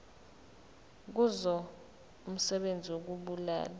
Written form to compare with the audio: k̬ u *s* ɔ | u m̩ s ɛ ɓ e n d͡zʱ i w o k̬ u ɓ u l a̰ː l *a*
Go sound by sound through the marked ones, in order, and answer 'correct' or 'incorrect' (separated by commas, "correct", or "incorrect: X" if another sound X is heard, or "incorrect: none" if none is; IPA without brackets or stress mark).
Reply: incorrect: z, correct